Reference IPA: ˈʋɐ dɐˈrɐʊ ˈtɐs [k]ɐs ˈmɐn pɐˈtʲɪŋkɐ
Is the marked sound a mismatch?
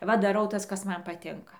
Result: no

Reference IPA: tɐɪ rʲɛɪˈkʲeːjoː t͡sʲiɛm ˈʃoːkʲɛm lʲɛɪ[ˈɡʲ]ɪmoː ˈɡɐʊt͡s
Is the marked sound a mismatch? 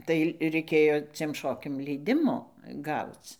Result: yes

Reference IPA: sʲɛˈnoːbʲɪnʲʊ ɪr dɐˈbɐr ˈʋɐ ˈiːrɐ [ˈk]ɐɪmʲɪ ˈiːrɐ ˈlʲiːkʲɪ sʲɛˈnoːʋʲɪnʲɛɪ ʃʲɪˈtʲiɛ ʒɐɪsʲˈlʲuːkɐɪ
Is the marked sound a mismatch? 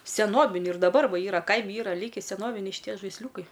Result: no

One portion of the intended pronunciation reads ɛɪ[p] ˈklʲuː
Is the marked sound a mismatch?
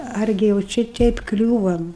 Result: no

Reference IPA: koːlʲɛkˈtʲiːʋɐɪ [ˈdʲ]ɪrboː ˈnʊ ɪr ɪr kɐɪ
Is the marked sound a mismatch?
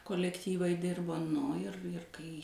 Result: no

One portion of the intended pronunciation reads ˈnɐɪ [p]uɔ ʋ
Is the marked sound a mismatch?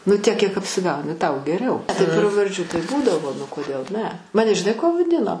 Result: yes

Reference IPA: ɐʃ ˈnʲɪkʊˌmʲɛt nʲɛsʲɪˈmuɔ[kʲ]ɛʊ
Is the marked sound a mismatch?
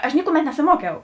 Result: no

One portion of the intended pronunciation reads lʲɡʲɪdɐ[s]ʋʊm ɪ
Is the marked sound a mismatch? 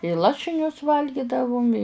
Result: yes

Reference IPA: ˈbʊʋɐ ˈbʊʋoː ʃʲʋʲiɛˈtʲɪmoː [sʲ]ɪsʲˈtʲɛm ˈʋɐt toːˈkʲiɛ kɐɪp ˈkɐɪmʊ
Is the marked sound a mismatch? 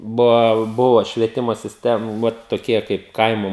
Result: no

